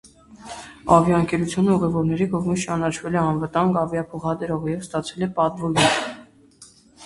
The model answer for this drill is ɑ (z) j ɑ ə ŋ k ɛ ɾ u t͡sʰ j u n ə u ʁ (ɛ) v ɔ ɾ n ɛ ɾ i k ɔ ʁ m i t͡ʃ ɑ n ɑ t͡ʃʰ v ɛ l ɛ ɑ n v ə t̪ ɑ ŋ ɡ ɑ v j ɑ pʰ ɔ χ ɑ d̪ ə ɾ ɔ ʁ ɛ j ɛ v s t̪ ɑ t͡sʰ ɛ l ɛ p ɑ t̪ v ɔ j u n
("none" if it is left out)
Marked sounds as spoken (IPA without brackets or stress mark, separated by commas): v, ɛ